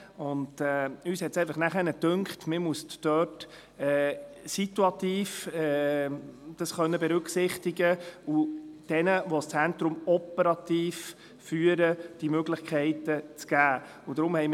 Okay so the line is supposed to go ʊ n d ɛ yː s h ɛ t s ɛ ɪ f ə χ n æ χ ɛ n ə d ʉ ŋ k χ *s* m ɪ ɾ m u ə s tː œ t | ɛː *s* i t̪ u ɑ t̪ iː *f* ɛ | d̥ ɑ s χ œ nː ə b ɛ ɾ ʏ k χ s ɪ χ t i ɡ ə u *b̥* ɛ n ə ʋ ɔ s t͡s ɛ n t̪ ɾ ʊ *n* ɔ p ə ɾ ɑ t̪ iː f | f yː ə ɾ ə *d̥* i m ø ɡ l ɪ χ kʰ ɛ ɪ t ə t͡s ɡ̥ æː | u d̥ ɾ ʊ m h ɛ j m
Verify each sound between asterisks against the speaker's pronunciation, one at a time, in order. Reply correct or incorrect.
incorrect, correct, correct, incorrect, incorrect, correct

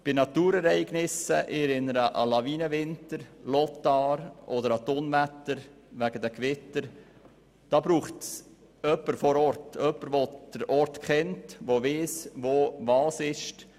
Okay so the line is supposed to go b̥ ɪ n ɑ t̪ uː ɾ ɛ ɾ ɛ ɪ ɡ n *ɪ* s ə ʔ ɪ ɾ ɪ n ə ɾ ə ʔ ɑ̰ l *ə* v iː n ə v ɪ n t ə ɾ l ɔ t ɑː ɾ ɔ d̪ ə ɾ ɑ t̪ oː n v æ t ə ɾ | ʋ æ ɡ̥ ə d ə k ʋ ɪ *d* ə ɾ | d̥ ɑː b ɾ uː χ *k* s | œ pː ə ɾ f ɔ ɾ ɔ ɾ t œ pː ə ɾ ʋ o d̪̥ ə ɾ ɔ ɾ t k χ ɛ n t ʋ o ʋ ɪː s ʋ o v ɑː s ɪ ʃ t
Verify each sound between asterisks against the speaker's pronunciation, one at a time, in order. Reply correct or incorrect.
correct, incorrect, incorrect, incorrect

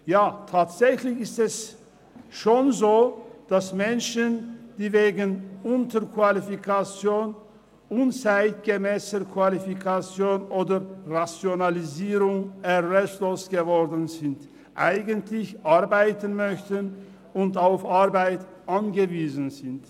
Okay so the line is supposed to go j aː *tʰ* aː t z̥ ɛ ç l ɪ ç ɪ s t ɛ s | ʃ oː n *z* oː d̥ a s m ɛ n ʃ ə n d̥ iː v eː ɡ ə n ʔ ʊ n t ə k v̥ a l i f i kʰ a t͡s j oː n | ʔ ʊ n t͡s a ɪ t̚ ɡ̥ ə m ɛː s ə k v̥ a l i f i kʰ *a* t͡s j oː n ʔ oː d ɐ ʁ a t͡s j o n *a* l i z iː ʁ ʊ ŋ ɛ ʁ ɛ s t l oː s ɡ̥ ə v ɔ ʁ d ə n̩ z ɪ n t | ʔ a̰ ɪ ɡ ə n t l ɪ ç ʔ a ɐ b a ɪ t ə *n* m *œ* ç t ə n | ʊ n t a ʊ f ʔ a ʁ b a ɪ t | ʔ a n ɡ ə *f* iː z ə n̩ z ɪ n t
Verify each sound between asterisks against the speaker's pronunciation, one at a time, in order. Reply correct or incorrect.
correct, correct, correct, correct, correct, correct, incorrect

